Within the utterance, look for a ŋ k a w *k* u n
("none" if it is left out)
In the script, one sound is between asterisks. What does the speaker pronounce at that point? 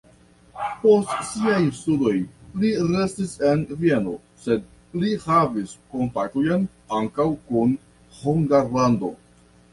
k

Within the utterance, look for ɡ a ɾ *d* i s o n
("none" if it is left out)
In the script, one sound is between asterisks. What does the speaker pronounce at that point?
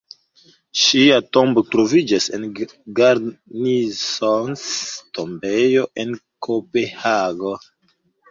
n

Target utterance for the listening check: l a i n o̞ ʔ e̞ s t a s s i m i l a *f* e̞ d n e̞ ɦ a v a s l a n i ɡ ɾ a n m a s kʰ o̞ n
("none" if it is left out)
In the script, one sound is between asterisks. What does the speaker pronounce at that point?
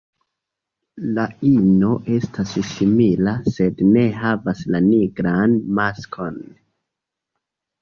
s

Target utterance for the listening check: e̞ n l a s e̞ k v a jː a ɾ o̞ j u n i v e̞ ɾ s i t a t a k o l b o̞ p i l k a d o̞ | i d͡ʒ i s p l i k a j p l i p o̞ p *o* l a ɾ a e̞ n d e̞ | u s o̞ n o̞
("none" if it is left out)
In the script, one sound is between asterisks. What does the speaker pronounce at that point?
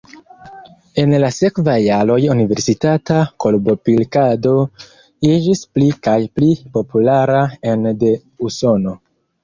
u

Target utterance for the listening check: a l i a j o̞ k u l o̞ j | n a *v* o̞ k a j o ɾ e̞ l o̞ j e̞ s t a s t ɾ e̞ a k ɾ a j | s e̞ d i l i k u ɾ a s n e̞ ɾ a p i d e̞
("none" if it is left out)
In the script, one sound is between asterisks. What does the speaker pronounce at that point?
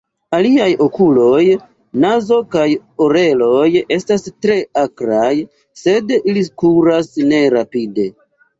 z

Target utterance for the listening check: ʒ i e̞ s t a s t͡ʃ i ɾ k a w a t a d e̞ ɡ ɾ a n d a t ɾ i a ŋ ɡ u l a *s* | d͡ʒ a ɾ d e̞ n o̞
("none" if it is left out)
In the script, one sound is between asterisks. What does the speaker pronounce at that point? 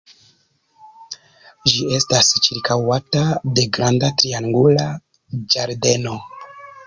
none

